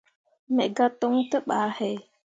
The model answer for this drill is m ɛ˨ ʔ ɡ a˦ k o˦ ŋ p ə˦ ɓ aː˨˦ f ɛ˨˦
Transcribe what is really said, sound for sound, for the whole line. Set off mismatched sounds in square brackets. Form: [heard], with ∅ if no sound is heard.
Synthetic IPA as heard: m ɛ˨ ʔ ɡ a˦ [t] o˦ ŋ [t] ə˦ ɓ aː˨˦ [h] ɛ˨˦